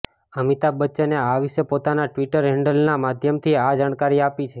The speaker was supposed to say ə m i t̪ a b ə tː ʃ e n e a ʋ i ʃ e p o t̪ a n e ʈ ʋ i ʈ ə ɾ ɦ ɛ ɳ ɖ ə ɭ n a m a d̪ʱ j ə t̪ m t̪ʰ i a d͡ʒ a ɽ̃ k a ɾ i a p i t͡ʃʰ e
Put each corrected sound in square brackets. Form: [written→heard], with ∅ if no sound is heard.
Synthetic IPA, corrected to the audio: ə m i t̪ a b ə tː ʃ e n e a ʋ i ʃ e p o t̪ a n [e→a] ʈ ʋ i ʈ ə ɾ ɦ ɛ ɳ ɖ ə [ɭ→l] n a m a d̪ʱ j ə [t̪→∅] m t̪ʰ i a d͡ʒ a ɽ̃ k a ɾ i a p i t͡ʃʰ e